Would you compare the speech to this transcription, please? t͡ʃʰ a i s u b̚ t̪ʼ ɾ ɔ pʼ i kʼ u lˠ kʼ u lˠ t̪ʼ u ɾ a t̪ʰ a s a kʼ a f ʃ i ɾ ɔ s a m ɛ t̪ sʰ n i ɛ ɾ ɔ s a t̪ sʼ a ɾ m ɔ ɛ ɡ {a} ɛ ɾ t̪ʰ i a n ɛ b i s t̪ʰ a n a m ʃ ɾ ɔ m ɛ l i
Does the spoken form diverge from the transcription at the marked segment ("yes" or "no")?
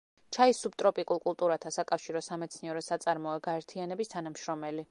no